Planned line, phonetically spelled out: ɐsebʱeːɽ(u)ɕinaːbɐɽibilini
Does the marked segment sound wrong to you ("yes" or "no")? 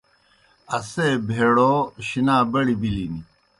yes